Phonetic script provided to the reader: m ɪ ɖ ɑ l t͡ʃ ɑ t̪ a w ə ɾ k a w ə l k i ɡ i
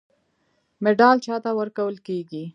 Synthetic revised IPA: m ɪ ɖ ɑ l t͡ʃ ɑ t̪ a w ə ɾ k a w ə l k e ɡ i